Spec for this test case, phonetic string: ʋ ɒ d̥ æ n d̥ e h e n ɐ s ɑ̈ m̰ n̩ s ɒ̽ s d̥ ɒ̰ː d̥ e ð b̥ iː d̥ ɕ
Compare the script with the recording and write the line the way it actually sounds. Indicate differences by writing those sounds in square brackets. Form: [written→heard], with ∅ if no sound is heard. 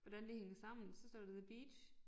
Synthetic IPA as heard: ʋ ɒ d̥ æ n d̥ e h e [n→ŋ] ɐ s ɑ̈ m̰ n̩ s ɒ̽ s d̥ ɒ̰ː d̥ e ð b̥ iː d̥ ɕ